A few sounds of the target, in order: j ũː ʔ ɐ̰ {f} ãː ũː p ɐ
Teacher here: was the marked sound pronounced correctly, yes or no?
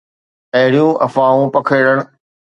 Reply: yes